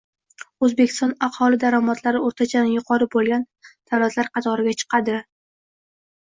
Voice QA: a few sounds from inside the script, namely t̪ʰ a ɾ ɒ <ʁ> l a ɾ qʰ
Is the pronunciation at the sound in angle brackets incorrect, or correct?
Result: incorrect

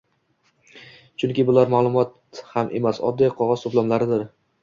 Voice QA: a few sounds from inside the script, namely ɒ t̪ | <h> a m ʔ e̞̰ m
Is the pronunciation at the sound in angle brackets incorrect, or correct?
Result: correct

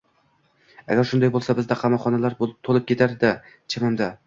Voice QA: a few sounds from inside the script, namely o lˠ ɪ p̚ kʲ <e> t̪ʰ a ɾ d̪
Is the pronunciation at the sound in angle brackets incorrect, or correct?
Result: correct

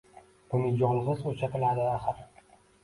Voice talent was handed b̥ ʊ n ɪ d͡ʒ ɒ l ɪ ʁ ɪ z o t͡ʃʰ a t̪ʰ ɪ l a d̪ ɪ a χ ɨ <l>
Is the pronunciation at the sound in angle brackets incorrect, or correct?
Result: incorrect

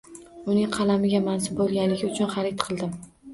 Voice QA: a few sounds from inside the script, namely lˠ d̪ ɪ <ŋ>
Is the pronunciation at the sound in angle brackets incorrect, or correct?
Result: incorrect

